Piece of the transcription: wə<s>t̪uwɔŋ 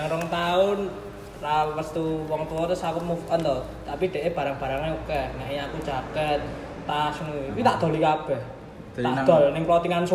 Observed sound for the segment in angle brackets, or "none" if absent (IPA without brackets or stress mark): s